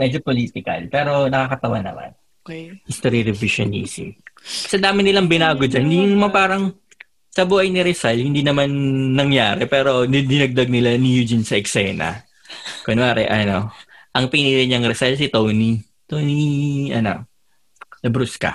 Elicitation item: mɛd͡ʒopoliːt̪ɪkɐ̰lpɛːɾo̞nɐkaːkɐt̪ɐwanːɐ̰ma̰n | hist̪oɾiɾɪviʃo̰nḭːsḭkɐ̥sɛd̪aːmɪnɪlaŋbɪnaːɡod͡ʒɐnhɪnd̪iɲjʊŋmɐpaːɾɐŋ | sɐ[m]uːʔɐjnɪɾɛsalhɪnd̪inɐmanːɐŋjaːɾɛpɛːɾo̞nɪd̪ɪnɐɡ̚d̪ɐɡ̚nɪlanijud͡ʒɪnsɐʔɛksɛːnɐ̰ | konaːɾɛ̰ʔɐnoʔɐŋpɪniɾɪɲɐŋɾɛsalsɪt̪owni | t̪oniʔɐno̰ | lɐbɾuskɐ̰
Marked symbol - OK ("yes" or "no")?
no